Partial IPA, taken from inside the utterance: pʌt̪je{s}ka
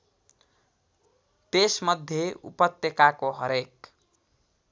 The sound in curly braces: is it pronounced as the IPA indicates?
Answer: no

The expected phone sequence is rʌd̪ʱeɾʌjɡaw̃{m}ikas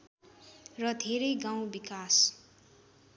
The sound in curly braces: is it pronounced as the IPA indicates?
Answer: no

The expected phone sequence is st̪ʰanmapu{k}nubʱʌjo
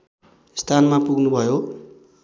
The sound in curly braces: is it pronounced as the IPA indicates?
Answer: no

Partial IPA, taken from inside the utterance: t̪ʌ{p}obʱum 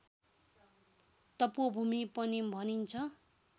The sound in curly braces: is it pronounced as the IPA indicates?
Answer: yes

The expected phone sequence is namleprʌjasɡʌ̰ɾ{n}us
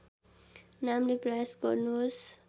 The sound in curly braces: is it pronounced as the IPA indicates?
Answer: yes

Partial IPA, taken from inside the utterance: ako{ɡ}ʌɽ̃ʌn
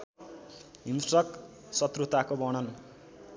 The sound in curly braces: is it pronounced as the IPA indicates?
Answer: no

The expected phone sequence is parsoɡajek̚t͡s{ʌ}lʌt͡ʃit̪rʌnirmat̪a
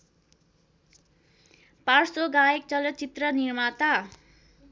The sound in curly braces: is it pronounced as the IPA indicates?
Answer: yes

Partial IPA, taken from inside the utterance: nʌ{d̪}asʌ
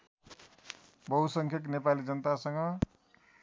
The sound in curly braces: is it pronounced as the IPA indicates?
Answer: no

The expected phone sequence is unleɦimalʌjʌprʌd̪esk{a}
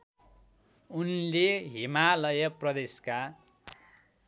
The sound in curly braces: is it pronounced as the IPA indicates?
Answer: yes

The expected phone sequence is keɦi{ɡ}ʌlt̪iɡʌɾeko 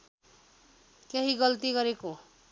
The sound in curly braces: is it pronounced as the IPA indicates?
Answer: yes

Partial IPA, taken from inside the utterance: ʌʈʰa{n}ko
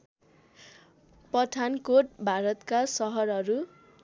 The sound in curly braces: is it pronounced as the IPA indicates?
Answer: yes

